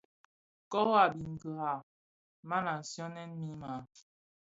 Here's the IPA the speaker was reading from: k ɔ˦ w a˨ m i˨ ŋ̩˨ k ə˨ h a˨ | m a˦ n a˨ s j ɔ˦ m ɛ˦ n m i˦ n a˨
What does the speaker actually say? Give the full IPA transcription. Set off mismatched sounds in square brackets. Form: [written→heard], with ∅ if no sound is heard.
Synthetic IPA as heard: k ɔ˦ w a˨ [m→b] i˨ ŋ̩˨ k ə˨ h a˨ | m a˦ n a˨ s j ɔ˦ [m→n] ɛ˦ n m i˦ [n→m] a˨